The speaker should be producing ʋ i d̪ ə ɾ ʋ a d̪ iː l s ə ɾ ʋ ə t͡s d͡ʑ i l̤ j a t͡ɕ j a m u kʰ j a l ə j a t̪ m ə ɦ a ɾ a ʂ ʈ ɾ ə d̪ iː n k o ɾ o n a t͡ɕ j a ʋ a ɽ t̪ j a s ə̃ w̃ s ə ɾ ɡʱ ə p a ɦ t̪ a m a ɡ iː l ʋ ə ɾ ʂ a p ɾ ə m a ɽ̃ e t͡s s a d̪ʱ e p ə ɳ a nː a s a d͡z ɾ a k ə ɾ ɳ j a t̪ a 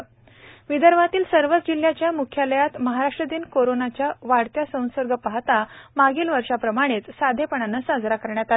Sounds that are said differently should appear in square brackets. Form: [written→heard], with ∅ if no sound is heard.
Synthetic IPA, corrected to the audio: ʋ i d̪ ə ɾ ʋ a [d̪→t̪] iː l s ə ɾ ʋ ə t͡s d͡ʑ i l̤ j a t͡ɕ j a m u kʰ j a l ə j a t̪ m ə ɦ a ɾ a ʂ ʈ ɾ ə d̪ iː n k o ɾ o n a t͡ɕ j a ʋ a ɽ t̪ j a s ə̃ w̃ s ə ɾ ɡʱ ə p a ɦ t̪ a m a ɡ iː l ʋ ə ɾ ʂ a p ɾ ə m a ɽ̃ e t͡s s a d̪ʱ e p ə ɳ a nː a s a d͡z ɾ a k ə ɾ ɳ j a t̪ a

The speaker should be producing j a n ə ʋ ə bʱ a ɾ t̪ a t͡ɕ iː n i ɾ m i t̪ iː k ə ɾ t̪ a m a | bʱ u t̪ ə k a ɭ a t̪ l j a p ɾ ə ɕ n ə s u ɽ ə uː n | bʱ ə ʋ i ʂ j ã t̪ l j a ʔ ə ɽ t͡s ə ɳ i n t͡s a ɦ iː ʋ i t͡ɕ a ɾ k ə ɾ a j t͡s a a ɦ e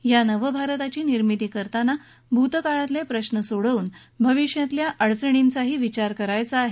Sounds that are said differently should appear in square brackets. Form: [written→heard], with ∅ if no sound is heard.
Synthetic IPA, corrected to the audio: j a n ə ʋ ə bʱ a ɾ t̪ a t͡ɕ iː n i ɾ m i t̪ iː k ə ɾ t̪ a [m→n] a | bʱ u t̪ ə k a ɭ a t̪ l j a p ɾ ə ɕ n ə s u ɽ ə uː n | bʱ ə ʋ i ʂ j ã t̪ l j a ʔ ə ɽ t͡s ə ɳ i n t͡s a ɦ iː ʋ i t͡ɕ a ɾ k ə ɾ a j t͡s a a ɦ e

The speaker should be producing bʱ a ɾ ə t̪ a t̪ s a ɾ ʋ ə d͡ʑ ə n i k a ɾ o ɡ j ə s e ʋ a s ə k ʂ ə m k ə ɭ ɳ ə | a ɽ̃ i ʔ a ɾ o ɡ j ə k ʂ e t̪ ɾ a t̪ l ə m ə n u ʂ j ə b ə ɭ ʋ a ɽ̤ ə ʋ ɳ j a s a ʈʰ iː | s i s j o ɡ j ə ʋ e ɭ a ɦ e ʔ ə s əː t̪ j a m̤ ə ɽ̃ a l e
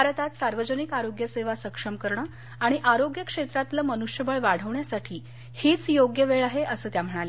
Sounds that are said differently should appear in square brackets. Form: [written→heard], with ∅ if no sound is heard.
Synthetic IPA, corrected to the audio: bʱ a ɾ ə t̪ a t̪ s a ɾ ʋ ə d͡ʑ ə n i k a ɾ o ɡ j ə s e ʋ a s ə k ʂ ə m k ə [ɭ→ɾ] ɳ ə | a ɽ̃ i ʔ a ɾ o ɡ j ə k ʂ e t̪ ɾ a t̪ l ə m ə n u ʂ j ə b ə ɭ ʋ a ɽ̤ ə ʋ ɳ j a s a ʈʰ iː | [s→h] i [s→t͡s] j o ɡ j ə ʋ e ɭ a ɦ e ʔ ə s əː t̪ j a m̤ ə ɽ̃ a l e

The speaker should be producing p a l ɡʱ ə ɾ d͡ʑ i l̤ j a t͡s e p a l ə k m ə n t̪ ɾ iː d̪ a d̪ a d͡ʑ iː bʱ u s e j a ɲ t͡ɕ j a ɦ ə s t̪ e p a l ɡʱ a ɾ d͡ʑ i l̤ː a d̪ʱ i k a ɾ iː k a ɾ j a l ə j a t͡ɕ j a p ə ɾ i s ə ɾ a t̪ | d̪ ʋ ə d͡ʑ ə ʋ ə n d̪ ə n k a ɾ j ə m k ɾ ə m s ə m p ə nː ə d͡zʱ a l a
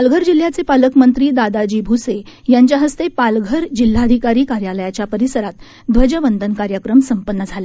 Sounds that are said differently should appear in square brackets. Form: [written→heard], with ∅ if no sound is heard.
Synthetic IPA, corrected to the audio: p a l ɡʱ ə ɾ d͡ʑ i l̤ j a t͡s e p a l ə k m ə n t̪ ɾ iː d̪ a d̪ a d͡ʑ iː bʱ u s e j a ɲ t͡ɕ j a ɦ ə s t̪ e p a l ɡʱ [a→ə] ɾ d͡ʑ i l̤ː a d̪ʱ i k a ɾ iː k a ɾ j a l ə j a t͡ɕ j a p ə ɾ i s ə ɾ a t̪ | d̪ ʋ ə d͡ʑ ə ʋ ə n d̪ ə n k a ɾ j ə [m→∅] k ɾ ə m s ə m p ə nː ə d͡zʱ a l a

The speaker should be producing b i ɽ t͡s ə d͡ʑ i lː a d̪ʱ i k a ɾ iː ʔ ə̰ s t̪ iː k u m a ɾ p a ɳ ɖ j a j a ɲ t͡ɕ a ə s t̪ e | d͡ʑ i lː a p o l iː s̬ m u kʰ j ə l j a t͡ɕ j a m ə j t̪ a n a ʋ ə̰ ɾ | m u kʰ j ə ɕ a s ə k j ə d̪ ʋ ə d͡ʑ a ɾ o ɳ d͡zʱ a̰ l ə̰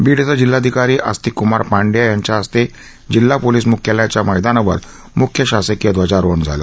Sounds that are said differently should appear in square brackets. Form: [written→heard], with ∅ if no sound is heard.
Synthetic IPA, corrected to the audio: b i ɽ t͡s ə d͡ʑ i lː a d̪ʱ i k a ɾ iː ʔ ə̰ s t̪ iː k u m a ɾ p a ɳ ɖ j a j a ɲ t͡ɕ a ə s t̪ e | d͡ʑ i lː a p o l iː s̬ m u kʰ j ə l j a t͡ɕ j a m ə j [t̪→d̪] a n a ʋ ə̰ ɾ | m u kʰ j ə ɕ a s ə k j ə d̪ ʋ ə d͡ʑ a ɾ o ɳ d͡zʱ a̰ l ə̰

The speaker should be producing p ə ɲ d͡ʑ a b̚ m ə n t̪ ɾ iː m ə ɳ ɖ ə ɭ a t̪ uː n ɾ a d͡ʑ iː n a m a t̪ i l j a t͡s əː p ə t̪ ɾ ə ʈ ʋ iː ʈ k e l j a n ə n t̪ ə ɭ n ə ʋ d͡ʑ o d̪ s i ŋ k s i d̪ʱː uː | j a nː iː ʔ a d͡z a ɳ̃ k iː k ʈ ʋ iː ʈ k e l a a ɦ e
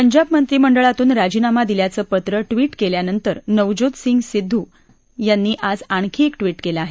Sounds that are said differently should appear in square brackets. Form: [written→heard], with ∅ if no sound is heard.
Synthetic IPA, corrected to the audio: p ə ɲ d͡ʑ a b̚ m ə n t̪ ɾ iː m ə ɳ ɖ ə ɭ a t̪ uː n ɾ a d͡ʑ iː n a m a [t̪→d̪] i l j a t͡s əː p ə t̪ ɾ ə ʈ ʋ iː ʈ k e l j a n ə n t̪ ə [ɭ→ɾ] n ə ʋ d͡ʑ o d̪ s i ŋ [k→ɡ] s i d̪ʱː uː | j a nː iː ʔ a d͡z a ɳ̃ [k→kʰ] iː k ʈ ʋ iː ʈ k e l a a ɦ e

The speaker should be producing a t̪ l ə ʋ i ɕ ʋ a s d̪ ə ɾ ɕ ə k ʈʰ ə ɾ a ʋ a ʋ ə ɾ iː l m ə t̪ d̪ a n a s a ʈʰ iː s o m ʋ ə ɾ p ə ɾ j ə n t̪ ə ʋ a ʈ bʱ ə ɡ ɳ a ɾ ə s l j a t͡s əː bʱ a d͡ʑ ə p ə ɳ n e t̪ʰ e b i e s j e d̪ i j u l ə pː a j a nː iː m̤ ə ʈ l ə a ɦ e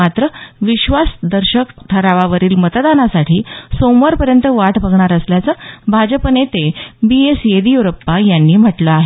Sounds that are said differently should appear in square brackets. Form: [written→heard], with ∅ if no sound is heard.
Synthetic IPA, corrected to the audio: a t̪ [l→ɾ] ə ʋ i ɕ ʋ a s d̪ ə ɾ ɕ ə k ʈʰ ə ɾ a ʋ a ʋ ə ɾ iː l m ə t̪ d̪ a n a s a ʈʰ iː s o m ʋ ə ɾ p ə ɾ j ə n t̪ ə ʋ a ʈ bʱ ə ɡ ɳ a ɾ ə s l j a t͡s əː bʱ a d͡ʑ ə p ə [ɳ→∅] n e [t̪ʰ→t̪] e b i e s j e d̪ i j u [l→ɾ] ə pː a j a nː iː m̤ ə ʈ l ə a ɦ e

